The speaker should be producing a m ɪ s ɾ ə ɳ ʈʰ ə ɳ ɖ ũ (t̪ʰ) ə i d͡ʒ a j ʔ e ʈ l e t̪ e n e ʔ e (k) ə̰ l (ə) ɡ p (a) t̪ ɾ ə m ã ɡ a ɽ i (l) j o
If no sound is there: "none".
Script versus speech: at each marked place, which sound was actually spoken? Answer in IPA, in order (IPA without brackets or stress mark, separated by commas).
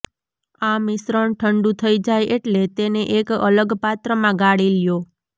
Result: t̪ʰ, k, ə, a, l